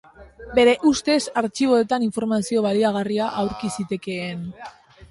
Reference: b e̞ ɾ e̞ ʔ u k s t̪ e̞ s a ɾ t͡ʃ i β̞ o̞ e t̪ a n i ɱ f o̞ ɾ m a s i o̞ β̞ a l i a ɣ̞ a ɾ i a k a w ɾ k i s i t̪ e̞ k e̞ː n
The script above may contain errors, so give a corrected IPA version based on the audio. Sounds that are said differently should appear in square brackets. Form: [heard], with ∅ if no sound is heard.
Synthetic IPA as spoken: b e̞ ɾ e̞ ʔ u [∅] s t̪ e̞ s a ɾ t͡ʃ i β̞ o̞ e t̪ a n i ɱ f o̞ ɾ m a s i o̞ β̞ a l i a ɣ̞ a [r] i a [ʔ] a w ɾ k i s i t̪ e̞ k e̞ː n